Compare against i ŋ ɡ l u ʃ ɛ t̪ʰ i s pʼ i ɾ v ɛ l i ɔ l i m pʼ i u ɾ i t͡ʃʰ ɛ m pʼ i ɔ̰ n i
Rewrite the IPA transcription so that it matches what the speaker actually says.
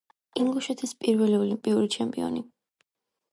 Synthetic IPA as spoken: i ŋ ɡ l u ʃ ɛ t̪ʰ i s pʼ i ɾ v ɛ l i ɔ l i m pʼ i u ɾ i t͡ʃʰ ɛ m pʼ i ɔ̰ n i